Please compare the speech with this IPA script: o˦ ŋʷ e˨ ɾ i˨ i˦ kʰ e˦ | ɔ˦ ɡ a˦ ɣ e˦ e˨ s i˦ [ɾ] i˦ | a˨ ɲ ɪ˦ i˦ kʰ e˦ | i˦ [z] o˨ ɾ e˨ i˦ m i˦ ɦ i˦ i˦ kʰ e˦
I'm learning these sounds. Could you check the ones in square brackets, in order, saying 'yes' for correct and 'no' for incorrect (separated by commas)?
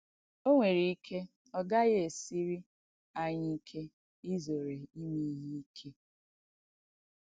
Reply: yes, yes